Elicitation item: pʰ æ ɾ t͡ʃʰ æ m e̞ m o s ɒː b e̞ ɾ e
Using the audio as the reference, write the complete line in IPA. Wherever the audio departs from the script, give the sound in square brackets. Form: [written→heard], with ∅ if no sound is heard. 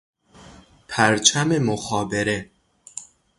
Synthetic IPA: pʰ æ ɾ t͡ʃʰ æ m e̞ m o [s→x] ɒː b e̞ ɾ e